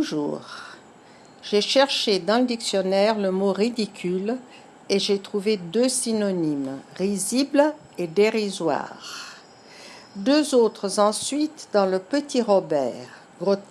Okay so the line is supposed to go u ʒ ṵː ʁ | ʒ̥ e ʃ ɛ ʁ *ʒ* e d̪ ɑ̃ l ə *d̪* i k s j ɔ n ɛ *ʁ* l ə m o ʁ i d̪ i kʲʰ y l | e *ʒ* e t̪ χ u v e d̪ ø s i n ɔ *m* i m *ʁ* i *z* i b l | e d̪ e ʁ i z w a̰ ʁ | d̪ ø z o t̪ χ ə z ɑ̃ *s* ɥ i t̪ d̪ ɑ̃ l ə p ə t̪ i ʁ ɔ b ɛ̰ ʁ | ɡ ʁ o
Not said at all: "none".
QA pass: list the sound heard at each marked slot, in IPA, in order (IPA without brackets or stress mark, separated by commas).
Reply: ʃ, d̪, ʁ, ʒ, n, ʁ, z, s